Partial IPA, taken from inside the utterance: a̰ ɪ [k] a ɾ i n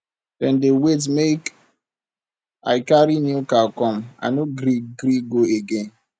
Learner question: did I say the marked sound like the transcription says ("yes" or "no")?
yes